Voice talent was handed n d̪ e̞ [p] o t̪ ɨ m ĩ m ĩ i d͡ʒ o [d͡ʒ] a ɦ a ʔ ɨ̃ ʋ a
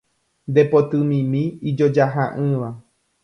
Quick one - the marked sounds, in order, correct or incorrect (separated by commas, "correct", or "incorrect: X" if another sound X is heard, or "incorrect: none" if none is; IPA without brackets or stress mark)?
correct, correct